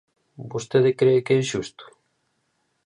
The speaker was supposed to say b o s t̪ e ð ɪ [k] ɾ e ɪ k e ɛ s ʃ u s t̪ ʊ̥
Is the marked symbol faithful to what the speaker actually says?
yes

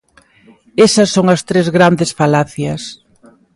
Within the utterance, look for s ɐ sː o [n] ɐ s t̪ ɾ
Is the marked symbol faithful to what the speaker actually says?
no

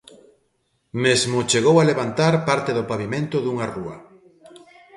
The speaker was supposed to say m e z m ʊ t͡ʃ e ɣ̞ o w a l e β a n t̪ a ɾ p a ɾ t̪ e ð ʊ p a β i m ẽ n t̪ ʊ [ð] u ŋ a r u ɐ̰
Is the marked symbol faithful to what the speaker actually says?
yes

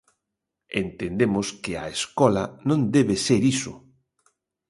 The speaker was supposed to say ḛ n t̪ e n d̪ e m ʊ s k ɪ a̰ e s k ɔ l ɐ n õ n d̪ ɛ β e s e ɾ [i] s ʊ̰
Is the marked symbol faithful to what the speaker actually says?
yes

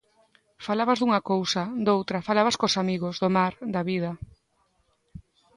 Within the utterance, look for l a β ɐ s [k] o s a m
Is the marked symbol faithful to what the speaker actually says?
yes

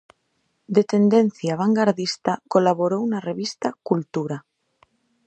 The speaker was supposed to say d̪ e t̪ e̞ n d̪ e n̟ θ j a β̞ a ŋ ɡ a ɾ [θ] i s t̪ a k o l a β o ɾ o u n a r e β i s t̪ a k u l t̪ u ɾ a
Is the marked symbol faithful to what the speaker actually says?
no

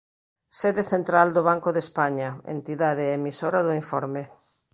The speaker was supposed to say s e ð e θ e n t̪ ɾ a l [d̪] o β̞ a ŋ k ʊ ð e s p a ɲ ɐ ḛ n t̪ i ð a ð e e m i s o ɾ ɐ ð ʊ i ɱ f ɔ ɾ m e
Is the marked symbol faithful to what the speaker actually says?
yes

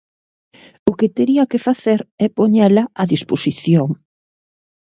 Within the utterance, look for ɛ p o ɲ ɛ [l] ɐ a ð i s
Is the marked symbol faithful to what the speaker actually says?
yes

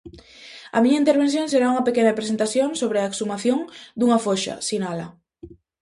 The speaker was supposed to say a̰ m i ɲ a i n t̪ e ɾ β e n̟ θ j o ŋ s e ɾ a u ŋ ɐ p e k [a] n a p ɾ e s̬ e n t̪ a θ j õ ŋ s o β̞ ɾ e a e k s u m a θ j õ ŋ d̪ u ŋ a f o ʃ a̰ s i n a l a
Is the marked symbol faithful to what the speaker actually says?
no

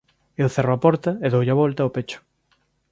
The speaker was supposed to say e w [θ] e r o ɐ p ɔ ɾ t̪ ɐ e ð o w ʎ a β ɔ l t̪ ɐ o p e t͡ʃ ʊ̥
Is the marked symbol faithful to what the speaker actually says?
yes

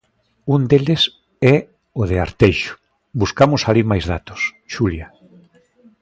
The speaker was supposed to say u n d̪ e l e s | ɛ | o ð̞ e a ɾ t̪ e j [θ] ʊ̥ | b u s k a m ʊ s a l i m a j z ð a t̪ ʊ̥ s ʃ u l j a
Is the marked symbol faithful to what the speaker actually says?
no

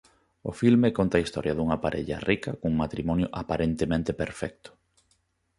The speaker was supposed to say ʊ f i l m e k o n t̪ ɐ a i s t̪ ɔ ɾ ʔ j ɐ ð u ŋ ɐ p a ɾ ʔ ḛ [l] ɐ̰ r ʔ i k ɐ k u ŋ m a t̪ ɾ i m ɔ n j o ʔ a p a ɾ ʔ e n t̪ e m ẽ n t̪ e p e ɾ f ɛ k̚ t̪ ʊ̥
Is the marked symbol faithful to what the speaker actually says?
no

